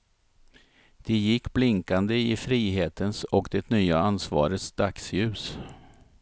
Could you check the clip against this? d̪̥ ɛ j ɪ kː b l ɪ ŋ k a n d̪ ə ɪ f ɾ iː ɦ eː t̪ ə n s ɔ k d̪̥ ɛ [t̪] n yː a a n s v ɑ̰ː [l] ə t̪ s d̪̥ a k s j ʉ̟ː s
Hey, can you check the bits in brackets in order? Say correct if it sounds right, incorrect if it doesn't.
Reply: correct, incorrect: ɾ

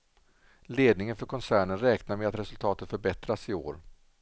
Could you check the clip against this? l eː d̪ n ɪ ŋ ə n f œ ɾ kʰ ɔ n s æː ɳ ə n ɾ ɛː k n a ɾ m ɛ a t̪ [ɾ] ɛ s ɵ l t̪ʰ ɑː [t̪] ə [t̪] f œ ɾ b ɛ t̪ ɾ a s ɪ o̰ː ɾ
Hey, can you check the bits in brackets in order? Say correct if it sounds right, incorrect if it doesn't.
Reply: correct, correct, correct

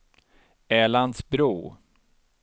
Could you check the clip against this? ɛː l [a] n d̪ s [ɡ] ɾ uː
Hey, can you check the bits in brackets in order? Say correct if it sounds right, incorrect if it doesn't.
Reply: correct, incorrect: b

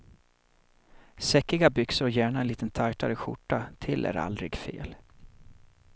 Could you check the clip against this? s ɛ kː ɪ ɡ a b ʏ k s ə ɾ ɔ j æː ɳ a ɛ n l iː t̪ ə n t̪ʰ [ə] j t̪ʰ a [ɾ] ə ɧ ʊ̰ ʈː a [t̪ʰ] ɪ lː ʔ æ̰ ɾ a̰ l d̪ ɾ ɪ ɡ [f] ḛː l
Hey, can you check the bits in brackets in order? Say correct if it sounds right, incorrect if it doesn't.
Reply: incorrect: a, correct, correct, correct

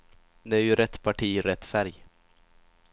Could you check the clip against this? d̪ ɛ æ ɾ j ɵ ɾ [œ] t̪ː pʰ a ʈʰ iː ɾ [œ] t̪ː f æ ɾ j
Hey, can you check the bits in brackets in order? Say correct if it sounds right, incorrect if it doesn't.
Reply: incorrect: ɛ, incorrect: ɛ

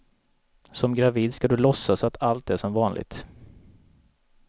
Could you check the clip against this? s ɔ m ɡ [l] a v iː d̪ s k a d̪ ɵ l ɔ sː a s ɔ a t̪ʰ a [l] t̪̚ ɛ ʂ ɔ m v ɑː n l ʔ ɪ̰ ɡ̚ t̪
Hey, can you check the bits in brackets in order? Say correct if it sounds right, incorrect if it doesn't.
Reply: incorrect: ɾ, correct

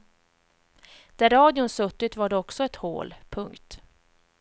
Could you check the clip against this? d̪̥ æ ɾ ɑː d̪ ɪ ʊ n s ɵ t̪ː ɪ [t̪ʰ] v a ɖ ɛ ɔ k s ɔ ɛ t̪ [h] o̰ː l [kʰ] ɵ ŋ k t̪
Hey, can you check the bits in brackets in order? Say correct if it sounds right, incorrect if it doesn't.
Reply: incorrect: t̪, correct, incorrect: pʰ

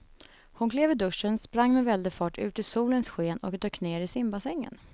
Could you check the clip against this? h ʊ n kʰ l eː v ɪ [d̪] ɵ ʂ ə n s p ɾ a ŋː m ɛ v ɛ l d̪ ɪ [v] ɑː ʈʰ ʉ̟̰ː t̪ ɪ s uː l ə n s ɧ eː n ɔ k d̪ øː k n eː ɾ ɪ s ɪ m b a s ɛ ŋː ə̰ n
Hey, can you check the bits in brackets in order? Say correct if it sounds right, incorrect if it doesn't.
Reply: correct, incorrect: f

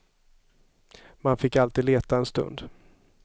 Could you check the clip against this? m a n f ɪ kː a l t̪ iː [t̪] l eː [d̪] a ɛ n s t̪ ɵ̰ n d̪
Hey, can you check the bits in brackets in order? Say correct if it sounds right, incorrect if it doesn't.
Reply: incorrect: d̪, incorrect: t̪

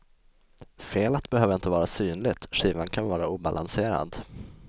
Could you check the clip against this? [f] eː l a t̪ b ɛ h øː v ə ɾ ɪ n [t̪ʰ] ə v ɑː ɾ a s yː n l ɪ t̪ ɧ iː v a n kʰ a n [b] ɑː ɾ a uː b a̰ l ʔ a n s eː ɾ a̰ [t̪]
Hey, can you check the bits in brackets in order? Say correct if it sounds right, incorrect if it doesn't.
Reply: correct, incorrect: t̪, incorrect: v, incorrect: d̪

